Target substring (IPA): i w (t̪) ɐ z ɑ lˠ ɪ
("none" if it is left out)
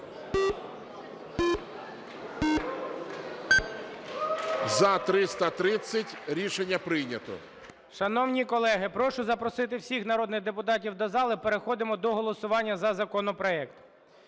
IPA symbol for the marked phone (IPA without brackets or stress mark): d̪